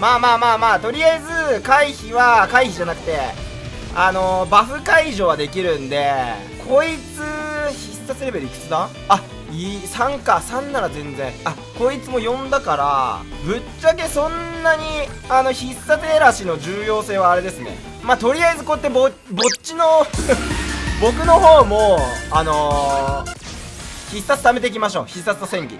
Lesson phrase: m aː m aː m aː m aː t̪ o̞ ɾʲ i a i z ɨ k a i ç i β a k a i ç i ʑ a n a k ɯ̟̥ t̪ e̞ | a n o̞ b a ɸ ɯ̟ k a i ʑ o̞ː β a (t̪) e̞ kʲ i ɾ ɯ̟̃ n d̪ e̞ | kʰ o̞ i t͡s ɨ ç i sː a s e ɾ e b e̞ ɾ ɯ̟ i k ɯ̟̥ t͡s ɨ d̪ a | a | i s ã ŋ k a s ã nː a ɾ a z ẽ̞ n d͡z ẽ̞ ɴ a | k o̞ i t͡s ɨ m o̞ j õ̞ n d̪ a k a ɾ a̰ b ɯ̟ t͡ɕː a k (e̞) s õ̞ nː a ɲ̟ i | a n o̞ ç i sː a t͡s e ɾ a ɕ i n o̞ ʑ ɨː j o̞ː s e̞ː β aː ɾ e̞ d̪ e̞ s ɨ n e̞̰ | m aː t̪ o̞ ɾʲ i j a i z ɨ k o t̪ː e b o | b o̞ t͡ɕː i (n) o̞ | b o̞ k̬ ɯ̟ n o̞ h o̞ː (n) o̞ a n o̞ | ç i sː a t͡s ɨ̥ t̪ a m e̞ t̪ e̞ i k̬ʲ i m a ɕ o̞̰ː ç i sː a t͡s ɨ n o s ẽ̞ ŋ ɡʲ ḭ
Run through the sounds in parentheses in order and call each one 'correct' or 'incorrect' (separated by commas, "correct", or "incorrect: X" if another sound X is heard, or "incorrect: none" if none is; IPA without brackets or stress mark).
incorrect: d̪, correct, correct, incorrect: m